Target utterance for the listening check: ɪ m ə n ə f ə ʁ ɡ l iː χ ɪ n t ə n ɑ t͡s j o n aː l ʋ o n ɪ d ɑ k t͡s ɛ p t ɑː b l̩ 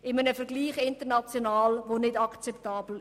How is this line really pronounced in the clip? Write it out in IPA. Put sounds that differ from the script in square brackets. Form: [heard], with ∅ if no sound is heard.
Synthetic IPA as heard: ɪ m ə n ə f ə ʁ ɡ l iː χ ɪ n t ə n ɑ t͡s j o n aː l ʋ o n ɪ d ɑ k t͡s ɛ p t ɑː b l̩